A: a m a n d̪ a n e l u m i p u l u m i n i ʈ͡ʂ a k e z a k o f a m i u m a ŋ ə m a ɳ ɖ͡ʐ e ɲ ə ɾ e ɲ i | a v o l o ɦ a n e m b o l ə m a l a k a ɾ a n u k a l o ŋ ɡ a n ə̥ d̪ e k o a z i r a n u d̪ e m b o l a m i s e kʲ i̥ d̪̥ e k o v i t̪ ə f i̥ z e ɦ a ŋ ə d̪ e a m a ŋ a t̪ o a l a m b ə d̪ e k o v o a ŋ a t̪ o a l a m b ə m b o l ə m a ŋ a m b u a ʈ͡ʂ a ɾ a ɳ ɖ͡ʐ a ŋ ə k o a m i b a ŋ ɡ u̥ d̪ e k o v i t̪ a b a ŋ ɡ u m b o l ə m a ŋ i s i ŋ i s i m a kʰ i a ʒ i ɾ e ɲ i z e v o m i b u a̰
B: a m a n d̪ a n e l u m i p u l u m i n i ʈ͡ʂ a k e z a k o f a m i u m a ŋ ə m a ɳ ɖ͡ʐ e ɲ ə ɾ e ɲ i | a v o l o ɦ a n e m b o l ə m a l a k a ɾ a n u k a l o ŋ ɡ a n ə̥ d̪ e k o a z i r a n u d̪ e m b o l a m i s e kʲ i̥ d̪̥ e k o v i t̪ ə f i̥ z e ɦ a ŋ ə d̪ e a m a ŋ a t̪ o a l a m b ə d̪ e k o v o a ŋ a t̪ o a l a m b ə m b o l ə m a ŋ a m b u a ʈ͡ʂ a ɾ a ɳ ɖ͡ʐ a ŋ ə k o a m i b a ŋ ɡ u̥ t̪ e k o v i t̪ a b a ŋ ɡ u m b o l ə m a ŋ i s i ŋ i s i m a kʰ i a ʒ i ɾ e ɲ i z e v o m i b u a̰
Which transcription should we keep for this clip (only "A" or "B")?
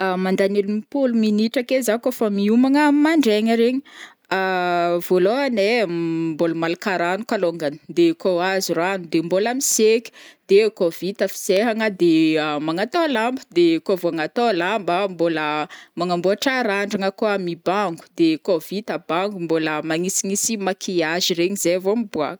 A